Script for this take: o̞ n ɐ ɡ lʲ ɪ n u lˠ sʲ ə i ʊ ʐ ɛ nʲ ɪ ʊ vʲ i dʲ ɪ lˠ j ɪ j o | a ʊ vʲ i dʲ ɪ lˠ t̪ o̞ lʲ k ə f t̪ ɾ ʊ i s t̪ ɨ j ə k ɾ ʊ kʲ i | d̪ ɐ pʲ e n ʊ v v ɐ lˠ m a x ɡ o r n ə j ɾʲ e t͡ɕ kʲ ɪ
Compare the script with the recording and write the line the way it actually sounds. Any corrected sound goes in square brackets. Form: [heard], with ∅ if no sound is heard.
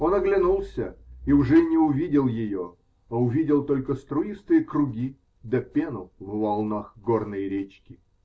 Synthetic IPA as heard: o̞ n ɐ ɡ lʲ ɪ n u lˠ sʲ ə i ʊ ʐ ɛ nʲ ɪ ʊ vʲ i dʲ ɪ lˠ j ɪ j o | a ʊ vʲ i dʲ ɪ lˠ t̪ o̞ lʲ k ə [s] t̪ ɾ ʊ i s t̪ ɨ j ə k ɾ ʊ [ɡʲ] i | d̪ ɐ pʲ e n ʊ v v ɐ lˠ [n] a x ɡ o r n ə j ɾʲ e t͡ɕ kʲ ɪ